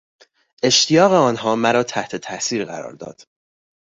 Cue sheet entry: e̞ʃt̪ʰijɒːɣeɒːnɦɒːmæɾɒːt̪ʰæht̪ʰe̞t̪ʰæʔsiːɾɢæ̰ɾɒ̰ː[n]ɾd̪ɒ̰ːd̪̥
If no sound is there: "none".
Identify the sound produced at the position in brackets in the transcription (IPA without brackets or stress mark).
none